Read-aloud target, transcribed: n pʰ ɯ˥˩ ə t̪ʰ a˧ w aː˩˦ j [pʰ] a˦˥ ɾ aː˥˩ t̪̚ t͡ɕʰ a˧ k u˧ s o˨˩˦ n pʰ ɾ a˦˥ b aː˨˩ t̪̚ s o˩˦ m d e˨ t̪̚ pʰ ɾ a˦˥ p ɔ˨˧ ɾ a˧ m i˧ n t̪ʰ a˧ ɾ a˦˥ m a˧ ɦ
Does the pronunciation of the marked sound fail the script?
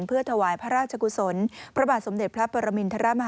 no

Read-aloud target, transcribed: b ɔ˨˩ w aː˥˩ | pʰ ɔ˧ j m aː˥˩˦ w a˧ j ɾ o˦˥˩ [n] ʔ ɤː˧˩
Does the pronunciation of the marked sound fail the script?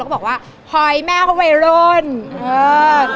no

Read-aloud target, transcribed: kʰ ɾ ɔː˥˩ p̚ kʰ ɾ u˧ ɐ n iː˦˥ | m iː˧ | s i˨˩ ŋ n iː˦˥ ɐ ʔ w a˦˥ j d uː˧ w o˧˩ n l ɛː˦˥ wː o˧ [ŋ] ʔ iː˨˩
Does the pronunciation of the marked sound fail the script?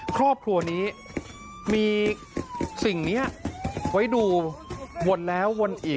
yes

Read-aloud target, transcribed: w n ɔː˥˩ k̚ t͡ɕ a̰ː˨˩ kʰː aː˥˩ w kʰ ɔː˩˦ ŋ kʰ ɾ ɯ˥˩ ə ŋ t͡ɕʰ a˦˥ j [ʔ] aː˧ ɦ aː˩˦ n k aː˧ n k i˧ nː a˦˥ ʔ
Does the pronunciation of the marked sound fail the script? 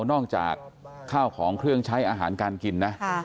no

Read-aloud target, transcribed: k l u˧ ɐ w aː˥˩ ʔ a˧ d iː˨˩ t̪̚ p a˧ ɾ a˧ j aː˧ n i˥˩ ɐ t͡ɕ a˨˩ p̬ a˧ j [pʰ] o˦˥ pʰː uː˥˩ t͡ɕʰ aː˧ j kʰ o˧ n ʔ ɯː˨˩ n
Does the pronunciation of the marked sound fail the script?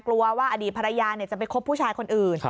yes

